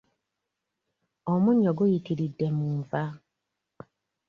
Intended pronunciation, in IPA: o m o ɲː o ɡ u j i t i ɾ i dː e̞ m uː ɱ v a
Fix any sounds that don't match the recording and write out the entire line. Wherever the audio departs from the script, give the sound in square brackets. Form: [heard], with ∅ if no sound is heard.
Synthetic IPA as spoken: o m [u] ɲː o ɡ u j i t i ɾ i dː e̞ m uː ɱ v a